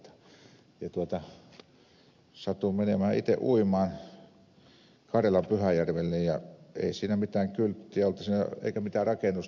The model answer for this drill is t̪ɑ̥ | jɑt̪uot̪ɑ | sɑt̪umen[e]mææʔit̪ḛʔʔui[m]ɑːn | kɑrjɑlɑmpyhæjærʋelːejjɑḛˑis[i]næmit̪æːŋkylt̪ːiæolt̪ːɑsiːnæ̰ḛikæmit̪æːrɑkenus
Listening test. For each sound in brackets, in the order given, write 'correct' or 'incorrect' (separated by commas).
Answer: correct, correct, incorrect